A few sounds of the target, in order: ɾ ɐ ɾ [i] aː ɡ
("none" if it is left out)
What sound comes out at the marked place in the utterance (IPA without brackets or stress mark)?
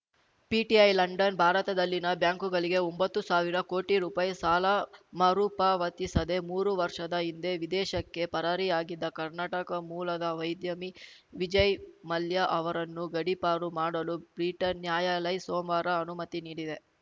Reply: i